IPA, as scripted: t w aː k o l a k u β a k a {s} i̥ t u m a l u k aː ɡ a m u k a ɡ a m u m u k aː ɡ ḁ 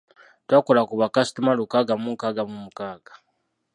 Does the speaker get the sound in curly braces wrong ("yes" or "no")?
no